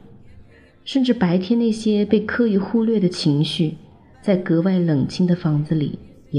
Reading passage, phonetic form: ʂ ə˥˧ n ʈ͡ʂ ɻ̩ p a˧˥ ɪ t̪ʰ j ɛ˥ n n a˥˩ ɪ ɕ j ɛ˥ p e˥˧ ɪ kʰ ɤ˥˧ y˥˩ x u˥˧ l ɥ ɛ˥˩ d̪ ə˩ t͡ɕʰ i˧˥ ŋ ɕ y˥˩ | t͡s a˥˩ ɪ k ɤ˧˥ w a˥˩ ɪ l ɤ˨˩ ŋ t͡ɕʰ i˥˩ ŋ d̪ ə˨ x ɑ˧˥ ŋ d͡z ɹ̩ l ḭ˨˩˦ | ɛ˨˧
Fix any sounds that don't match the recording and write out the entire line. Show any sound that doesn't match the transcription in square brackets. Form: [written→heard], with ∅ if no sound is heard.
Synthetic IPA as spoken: ʂ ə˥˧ n ʈ͡ʂ ɻ̩ p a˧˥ ɪ t̪ʰ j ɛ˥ n n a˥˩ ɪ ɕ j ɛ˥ p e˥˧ ɪ kʰ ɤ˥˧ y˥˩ x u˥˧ l ɥ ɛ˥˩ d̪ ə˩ t͡ɕʰ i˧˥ ŋ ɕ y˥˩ | t͡s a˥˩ ɪ k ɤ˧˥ w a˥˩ ɪ l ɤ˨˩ ŋ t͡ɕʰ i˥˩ ŋ d̪ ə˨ [x→f] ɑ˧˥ ŋ d͡z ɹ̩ l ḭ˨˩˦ | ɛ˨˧